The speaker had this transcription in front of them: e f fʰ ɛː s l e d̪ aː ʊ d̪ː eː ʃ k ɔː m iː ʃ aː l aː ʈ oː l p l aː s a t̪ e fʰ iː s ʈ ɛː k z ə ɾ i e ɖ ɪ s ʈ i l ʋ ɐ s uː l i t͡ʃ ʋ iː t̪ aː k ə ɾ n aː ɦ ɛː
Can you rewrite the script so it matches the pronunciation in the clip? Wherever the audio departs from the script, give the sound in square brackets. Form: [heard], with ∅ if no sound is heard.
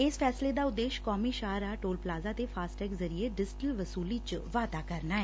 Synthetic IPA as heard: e [s] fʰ ɛː s l e d̪ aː ʊ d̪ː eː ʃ k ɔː m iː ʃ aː [ɾ] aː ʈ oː l p l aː [z] a t̪ e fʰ [aː] s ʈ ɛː k z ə ɾ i e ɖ ɪ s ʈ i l ʋ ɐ s uː l i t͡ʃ ʋ [aː] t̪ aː k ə ɾ n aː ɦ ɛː